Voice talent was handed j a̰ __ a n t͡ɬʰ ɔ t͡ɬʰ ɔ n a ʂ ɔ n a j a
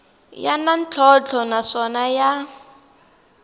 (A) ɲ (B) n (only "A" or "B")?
B